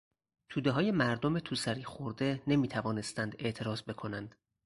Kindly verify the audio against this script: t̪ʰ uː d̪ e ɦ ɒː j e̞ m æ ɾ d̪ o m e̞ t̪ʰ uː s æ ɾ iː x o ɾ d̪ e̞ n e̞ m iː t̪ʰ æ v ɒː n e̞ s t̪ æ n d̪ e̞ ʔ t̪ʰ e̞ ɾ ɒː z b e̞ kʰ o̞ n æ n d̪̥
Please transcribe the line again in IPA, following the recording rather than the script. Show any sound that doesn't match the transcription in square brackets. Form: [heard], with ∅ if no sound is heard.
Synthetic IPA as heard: t̪ʰ uː d̪ e ɦ ɒː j e̞ m æ ɾ d̪ o m e̞ t̪ʰ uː s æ ɾ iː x o ɾ d̪ e̞ n e̞ m iː t̪ʰ æ v ɒː n e̞ s t̪ æ n d̪ e̞ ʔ t̪ʰ e̞ ɾ ɒː z b e̞ kʰ o̞ n æ n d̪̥